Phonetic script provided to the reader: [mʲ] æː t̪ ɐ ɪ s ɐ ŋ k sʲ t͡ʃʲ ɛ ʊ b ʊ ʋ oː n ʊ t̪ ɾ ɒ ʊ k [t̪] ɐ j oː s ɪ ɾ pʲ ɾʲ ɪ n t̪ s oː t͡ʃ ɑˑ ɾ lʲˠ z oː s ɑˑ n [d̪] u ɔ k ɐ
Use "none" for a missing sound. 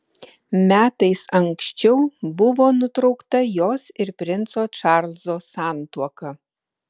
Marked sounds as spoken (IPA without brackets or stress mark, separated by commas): mʲ, t̪, t̪